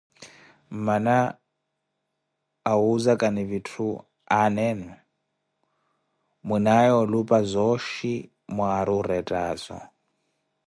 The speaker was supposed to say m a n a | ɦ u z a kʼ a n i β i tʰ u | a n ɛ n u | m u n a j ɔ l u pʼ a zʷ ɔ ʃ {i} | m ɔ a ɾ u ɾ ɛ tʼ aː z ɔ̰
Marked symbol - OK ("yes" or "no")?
yes